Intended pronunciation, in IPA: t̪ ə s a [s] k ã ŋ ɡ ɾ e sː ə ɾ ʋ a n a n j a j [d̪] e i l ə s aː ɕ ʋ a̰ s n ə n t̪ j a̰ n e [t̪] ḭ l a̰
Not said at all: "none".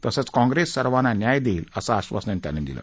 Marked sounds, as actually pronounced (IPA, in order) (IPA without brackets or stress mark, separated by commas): t͡s, d̪, d̪